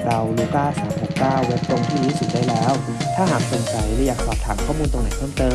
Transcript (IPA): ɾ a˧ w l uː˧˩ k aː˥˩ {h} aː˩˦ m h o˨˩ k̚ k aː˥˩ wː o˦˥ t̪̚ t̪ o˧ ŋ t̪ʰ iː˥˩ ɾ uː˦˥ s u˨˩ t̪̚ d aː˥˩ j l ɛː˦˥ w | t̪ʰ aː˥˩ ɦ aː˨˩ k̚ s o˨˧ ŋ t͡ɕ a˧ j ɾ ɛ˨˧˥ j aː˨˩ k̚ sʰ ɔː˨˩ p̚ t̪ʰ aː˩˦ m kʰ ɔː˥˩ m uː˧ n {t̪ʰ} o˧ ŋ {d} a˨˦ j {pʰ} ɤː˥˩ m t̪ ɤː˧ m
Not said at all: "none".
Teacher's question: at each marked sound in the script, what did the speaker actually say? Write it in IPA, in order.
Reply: s, t̪, n, pʰ

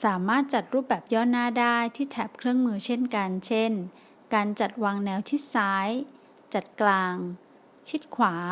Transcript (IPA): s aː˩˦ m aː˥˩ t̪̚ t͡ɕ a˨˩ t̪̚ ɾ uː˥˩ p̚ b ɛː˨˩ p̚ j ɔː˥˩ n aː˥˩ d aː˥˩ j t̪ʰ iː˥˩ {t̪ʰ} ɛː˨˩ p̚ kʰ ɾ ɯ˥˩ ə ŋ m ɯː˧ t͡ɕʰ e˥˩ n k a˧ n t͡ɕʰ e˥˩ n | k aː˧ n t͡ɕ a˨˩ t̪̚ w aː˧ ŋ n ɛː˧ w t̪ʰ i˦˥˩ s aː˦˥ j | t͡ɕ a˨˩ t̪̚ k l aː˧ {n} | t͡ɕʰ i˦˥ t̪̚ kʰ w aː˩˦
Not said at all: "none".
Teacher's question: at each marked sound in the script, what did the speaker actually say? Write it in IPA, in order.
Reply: t̪ʰ, ŋ

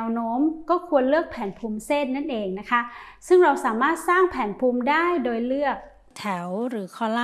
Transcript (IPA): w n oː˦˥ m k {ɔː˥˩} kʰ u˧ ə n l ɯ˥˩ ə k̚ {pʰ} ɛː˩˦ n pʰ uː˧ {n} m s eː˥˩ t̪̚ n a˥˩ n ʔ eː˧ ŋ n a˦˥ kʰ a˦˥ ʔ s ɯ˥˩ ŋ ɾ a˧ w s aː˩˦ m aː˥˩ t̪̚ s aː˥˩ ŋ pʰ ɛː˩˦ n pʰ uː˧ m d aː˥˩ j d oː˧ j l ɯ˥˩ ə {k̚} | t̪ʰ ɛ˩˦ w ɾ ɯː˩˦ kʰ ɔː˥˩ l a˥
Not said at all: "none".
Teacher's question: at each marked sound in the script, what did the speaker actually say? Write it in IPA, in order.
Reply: ɔː˥˩, pʰ, none, k̚

